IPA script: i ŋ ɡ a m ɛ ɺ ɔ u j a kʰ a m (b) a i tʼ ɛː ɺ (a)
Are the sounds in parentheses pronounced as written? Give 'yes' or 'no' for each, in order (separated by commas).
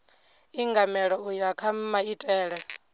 no, no